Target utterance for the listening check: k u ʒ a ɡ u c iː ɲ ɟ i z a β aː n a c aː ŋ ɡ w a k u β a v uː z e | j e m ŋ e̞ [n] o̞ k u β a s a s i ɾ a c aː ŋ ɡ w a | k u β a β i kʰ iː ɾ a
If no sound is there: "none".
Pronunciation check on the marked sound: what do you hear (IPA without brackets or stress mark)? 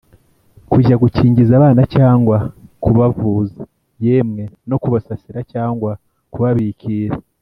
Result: n